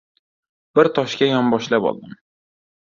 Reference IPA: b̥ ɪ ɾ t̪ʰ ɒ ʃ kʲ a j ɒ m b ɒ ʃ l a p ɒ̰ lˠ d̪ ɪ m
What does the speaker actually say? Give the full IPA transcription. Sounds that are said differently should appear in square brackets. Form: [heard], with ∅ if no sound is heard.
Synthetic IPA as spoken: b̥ ɪ ɾ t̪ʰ ɒ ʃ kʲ a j ɒ m b ɒ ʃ l a p ɒ̰ lˠ d̪ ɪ m